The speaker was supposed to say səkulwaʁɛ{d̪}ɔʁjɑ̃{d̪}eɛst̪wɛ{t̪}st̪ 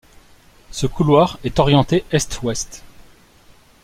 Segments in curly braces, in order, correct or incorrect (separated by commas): incorrect, incorrect, incorrect